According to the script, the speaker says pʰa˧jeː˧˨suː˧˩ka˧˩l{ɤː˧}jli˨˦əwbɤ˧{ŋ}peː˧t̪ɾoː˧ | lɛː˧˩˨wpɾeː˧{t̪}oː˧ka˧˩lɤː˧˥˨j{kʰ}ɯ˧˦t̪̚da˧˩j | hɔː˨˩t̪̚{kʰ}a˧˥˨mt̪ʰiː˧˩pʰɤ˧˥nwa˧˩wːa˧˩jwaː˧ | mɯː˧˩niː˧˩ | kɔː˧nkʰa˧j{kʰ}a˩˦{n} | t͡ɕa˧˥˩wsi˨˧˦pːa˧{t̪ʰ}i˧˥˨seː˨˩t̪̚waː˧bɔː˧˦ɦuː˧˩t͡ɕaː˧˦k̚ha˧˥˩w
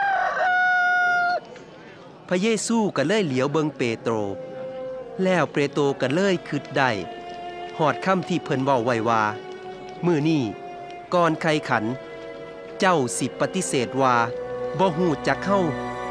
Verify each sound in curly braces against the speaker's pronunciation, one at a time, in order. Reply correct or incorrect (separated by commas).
incorrect, correct, correct, correct, correct, correct, correct, incorrect